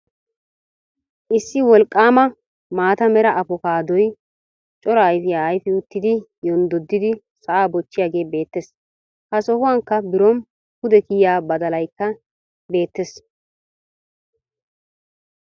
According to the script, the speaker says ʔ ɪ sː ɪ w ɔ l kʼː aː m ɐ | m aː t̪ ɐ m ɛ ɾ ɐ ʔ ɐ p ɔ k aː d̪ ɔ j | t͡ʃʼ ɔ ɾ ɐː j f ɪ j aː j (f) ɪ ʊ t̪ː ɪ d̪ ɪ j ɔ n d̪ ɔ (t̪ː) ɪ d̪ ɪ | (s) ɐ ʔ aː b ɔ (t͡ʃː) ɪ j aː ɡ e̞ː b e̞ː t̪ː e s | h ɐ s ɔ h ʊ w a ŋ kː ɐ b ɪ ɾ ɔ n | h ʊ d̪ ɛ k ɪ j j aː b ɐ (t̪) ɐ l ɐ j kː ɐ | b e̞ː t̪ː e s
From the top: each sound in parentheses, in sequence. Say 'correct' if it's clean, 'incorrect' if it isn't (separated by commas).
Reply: correct, incorrect, correct, correct, incorrect